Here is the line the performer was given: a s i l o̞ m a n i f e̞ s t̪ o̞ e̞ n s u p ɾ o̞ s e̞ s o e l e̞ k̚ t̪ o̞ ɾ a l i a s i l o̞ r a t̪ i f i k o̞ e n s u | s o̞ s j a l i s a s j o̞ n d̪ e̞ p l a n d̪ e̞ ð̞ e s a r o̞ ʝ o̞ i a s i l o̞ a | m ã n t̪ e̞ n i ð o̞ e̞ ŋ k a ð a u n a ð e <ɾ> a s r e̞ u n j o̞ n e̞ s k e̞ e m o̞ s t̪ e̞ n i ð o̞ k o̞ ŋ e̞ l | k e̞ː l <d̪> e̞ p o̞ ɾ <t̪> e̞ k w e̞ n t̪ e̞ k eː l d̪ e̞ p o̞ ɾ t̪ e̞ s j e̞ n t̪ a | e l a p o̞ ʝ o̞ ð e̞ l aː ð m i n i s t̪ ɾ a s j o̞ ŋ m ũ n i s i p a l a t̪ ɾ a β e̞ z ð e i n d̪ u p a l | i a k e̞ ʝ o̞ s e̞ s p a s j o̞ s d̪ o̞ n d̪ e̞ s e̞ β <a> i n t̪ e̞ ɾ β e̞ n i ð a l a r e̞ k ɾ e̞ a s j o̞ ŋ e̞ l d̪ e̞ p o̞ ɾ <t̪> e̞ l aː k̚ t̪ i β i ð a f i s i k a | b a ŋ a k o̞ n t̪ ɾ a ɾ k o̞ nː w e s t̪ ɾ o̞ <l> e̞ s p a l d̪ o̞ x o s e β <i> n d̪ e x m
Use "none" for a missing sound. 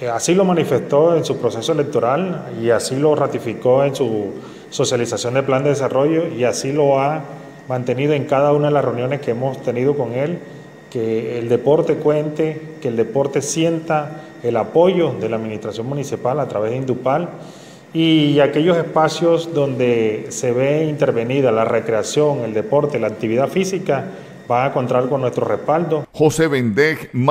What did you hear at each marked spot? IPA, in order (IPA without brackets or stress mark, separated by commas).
l, d̪, t̪, e, t̪, r, e